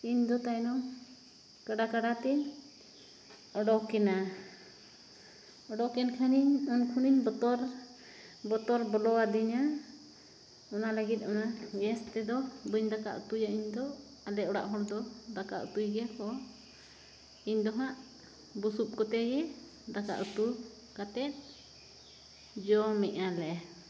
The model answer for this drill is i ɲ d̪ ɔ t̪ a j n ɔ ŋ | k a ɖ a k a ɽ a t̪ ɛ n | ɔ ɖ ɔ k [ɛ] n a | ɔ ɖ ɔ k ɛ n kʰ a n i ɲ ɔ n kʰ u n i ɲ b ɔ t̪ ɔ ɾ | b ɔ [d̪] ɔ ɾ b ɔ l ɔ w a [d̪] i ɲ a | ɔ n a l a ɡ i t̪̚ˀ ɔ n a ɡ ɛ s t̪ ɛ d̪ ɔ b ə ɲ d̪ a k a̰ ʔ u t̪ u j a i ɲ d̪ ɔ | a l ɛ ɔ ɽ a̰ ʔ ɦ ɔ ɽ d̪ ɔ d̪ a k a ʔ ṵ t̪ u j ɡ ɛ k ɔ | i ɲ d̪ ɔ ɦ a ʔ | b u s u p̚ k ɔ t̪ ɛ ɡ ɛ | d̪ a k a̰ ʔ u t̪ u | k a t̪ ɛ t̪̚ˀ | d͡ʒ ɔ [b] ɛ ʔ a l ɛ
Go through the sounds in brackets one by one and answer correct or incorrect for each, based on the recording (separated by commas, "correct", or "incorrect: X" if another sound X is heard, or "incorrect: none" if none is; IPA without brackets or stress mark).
correct, incorrect: t̪, correct, incorrect: m